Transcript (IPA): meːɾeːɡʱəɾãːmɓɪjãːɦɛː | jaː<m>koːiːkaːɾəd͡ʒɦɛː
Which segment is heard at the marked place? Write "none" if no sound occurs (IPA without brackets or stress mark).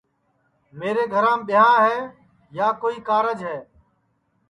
none